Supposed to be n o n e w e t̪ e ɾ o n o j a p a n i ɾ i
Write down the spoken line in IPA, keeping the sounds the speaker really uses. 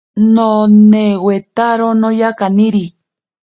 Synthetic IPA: n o n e w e t̪ a ɾ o n o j a k a n i ɾ i